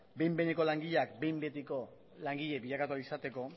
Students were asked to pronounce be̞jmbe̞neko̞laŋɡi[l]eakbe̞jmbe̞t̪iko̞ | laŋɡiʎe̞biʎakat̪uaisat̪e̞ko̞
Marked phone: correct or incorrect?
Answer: incorrect: ʎ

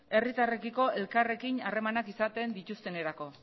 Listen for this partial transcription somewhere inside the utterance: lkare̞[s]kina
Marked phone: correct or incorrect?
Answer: incorrect: none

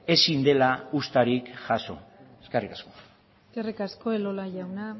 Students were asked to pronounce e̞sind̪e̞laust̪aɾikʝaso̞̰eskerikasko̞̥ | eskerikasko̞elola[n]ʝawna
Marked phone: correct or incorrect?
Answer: incorrect: none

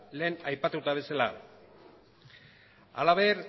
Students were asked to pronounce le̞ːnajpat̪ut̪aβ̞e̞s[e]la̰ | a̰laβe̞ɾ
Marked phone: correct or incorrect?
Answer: incorrect: a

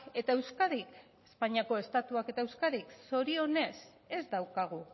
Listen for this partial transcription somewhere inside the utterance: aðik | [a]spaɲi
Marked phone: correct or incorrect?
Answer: incorrect: e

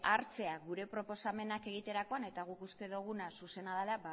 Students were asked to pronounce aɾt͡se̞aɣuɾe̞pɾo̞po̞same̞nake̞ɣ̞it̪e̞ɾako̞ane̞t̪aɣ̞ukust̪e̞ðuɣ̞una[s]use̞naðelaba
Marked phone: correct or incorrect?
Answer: correct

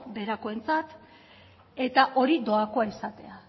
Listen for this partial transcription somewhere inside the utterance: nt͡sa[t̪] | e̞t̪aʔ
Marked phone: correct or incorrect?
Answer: correct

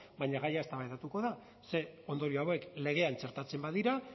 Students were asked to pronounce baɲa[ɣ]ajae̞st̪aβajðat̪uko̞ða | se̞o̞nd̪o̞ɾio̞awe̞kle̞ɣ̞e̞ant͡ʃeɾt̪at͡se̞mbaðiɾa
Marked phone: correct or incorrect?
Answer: correct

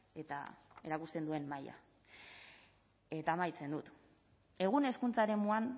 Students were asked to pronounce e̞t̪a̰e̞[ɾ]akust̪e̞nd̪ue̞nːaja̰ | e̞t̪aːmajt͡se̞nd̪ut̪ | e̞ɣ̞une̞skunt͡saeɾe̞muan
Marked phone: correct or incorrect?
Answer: correct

